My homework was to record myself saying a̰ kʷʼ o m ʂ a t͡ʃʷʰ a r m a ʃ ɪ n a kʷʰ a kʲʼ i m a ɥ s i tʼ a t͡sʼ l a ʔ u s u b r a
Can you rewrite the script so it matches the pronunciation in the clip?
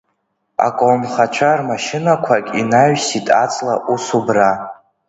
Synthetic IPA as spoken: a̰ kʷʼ o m χ a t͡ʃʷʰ a r m a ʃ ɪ n a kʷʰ a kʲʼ i n a ɥ s i tʼ a t͡sʼ l a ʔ u s u b r a